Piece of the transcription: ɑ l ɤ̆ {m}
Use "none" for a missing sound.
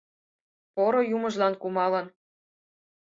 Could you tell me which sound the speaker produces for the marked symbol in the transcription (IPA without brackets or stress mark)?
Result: n